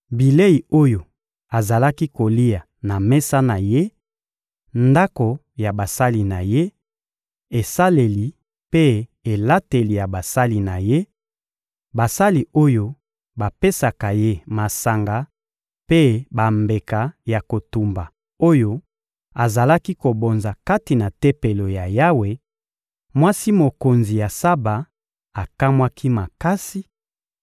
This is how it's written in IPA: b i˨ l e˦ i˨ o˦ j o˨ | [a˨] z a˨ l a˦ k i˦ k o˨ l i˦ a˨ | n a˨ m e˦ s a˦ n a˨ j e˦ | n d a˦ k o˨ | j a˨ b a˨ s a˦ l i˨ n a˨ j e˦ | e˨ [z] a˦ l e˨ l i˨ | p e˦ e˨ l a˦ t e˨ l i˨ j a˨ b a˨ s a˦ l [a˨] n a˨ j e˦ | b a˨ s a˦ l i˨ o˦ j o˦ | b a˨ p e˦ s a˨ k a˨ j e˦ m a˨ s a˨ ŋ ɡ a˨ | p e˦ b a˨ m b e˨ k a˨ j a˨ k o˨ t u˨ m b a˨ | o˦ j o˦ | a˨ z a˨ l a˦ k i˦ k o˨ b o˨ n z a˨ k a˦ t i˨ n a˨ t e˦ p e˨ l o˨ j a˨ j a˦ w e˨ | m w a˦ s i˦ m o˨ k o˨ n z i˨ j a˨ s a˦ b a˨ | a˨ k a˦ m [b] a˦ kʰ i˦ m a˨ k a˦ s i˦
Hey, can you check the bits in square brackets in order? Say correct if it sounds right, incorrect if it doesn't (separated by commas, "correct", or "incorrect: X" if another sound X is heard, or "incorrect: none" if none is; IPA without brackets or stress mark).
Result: correct, incorrect: s, incorrect: i˨, incorrect: w